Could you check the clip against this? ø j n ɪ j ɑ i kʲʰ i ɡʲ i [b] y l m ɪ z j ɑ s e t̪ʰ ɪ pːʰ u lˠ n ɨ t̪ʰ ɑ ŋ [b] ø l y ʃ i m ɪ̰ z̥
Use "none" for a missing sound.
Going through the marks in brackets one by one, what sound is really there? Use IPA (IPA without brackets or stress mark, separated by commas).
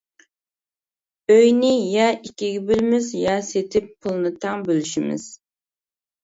b, b